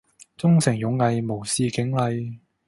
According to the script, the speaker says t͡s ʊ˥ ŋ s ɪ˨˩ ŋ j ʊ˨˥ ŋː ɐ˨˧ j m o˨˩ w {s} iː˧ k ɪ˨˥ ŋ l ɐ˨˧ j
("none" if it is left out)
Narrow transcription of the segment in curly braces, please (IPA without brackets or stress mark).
s